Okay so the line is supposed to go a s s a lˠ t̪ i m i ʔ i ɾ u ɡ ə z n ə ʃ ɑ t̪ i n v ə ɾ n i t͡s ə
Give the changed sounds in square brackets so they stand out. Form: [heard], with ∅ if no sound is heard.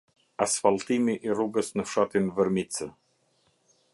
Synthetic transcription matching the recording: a s [f] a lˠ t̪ i m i ʔ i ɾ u ɡ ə [s] n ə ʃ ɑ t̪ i n v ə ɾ [m] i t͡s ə